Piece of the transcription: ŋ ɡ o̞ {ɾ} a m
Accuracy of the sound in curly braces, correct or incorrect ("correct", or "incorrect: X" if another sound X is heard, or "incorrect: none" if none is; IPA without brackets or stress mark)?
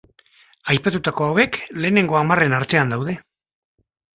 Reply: incorrect: none